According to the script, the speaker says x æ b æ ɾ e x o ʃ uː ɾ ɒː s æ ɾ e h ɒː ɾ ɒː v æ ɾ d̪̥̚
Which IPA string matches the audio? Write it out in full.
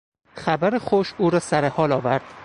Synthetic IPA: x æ b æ ɾ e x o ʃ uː ɾ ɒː s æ ɾ e h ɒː l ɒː v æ ɾ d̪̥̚